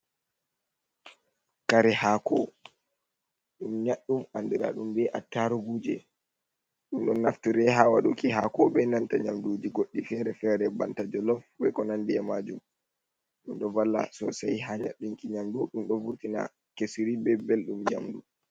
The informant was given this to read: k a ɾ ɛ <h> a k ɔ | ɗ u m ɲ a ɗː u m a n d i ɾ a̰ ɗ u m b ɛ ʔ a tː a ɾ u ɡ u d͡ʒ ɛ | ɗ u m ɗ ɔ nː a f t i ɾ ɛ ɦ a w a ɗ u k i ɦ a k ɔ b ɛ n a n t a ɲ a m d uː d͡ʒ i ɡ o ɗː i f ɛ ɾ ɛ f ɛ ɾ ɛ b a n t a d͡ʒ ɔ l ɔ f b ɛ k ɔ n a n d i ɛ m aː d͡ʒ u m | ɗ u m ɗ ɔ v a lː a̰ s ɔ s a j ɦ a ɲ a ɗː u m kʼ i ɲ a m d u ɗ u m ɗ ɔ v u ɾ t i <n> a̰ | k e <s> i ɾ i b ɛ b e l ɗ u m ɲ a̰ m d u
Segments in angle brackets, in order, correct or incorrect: correct, correct, correct

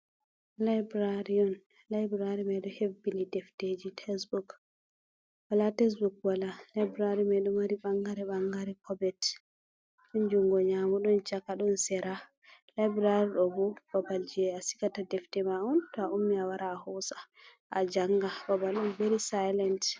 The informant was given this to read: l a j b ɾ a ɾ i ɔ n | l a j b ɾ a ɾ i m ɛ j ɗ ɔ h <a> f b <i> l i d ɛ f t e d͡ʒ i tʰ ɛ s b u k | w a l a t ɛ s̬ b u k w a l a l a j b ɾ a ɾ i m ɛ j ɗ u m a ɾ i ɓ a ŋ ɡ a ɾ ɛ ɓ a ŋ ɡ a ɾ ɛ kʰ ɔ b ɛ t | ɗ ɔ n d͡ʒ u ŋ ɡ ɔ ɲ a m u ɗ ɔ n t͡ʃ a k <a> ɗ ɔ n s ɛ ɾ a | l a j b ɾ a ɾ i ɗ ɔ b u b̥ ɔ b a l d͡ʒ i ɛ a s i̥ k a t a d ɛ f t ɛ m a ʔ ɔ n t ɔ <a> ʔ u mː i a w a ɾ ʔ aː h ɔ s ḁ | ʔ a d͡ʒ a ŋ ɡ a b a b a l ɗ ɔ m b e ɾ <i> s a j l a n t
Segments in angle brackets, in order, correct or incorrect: incorrect: e, correct, correct, correct, correct

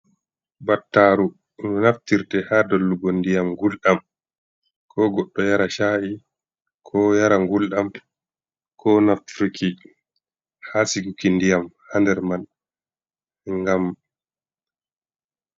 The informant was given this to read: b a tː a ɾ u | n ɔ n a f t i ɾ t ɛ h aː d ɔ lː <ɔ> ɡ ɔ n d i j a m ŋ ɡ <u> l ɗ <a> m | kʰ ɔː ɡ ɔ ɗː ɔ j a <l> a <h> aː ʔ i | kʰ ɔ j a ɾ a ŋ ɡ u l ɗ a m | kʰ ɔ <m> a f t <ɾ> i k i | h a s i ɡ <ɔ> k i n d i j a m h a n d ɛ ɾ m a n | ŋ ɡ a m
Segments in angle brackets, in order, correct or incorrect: incorrect: u, correct, correct, incorrect: ɾ, incorrect: ʃ, incorrect: n, correct, incorrect: u

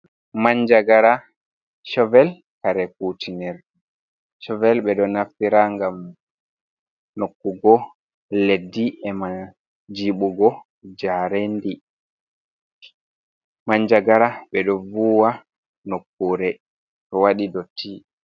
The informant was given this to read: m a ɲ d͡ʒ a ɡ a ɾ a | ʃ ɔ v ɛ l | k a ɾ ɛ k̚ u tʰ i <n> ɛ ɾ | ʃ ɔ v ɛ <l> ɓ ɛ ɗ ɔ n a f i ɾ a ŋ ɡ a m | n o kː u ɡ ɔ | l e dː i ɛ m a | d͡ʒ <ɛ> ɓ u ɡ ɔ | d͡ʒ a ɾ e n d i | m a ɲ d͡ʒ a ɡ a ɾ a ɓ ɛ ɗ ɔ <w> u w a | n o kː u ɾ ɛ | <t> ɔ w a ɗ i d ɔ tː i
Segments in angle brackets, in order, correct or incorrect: correct, correct, incorrect: i, incorrect: v, correct

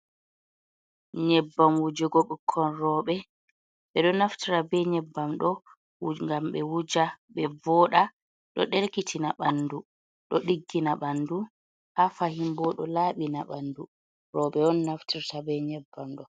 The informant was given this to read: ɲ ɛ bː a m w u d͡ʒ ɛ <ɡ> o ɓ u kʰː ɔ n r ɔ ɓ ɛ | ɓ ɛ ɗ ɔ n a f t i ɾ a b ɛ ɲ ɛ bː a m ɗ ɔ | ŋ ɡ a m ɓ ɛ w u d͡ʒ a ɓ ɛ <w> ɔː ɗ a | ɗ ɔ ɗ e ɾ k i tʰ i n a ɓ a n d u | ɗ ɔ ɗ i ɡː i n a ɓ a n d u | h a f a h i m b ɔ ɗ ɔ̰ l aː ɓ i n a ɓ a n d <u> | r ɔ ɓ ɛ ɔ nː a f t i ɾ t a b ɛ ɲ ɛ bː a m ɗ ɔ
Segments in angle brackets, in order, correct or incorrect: correct, incorrect: v, correct

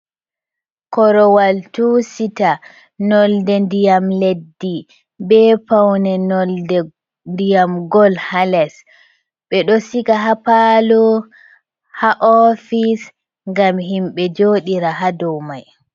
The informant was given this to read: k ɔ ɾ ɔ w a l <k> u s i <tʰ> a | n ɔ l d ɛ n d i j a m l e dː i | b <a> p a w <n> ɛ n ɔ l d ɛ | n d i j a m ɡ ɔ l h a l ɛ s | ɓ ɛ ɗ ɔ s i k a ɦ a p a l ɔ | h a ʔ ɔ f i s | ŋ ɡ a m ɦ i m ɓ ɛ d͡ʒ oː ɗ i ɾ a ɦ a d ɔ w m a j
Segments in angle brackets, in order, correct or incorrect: incorrect: t, incorrect: t, incorrect: ɛ, correct

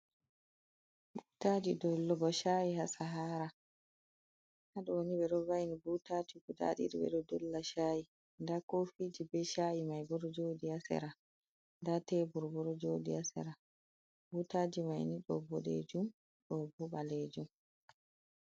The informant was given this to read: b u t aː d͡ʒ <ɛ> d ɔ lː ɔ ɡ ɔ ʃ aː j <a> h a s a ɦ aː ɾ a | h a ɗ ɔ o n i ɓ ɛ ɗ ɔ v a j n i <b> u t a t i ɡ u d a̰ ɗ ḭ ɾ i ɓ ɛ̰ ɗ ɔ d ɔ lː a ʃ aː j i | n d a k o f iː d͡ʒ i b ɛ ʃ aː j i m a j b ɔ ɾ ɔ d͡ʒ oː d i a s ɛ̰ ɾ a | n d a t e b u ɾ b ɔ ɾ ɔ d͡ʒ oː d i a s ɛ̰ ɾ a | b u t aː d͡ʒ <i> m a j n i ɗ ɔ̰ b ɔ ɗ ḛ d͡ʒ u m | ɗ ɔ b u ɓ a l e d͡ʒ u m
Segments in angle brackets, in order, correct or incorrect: incorrect: i, incorrect: i, correct, correct

